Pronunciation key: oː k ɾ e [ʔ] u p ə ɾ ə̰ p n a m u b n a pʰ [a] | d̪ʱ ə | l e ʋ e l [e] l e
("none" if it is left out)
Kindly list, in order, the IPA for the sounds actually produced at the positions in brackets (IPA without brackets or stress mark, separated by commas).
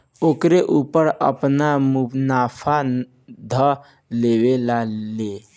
ʔ, a, a